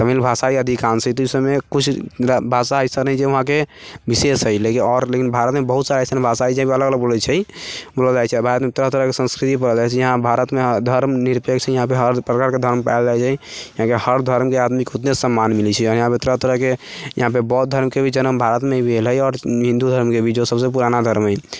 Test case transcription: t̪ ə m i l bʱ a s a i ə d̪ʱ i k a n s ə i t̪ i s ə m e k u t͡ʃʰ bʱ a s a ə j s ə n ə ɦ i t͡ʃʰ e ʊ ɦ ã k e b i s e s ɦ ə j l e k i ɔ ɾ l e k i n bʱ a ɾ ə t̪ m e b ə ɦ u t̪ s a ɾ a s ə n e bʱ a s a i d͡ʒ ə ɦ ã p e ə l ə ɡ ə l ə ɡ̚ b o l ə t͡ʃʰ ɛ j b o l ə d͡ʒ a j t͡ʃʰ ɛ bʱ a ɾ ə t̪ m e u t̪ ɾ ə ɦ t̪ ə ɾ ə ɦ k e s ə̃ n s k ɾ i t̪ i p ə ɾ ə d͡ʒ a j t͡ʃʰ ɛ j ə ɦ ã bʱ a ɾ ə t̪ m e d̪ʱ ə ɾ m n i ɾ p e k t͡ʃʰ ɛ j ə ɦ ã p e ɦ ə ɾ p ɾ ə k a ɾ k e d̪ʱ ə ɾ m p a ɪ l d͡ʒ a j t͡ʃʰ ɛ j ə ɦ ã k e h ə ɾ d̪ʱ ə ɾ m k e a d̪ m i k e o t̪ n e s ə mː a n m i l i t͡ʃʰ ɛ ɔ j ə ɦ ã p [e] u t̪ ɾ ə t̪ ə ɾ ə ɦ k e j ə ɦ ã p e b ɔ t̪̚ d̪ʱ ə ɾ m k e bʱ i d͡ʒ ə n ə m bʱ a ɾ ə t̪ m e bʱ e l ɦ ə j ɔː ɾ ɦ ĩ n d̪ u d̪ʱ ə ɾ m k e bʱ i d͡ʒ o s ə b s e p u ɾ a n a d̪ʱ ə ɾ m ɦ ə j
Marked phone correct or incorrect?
correct